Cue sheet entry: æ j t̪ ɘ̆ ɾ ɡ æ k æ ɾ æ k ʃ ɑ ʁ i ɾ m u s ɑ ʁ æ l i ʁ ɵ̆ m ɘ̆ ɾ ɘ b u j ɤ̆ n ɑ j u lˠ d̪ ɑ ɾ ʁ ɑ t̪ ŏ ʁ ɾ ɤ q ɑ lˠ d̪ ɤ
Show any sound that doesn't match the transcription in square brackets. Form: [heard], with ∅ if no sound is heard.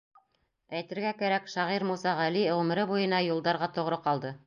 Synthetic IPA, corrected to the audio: æ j t̪ ɘ̆ ɾ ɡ æ k æ ɾ æ k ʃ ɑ ʁ i ɾ m u s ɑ ʁ æ l i ʁ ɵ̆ m ɘ̆ ɾ ɘ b u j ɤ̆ n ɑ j u lˠ d̪ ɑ ɾ ʁ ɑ t̪ ŏ ʁ ɾ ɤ q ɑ lˠ d̪ ɤ